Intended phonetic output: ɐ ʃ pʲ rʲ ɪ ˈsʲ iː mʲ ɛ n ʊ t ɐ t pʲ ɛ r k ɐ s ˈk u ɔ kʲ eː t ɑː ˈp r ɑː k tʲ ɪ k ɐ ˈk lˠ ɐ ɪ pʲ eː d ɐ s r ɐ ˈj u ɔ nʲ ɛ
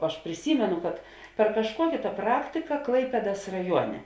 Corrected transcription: ɐ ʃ pʲ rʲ ɪ ˈsʲ iː mʲ ɛ n ʊ k ɐ t pʲ ɛ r k ɐ ʃ ˈk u ɔ kʲ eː t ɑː ˈp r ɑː k tʲ ɪ k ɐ ˈk lˠ ɐ ɪ pʲ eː d ɐ s r ɐ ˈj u ɔ nʲ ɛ